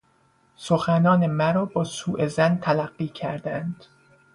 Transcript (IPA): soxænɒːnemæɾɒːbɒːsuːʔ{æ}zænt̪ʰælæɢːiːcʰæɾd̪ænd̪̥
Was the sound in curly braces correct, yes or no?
no